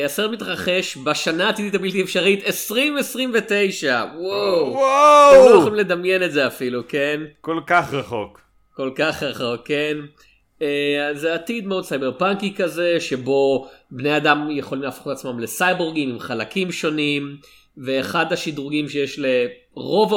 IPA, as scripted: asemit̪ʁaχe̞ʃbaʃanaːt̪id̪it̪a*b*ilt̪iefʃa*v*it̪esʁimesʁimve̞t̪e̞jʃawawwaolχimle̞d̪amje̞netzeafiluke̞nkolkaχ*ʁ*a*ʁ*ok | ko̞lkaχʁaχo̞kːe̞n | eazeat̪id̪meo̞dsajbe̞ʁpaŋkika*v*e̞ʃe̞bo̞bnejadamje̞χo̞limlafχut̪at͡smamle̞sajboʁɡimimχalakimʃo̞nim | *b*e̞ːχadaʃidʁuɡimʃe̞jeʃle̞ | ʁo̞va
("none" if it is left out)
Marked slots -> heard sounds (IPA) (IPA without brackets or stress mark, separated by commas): b, ʁ, ʁ, χ, z, v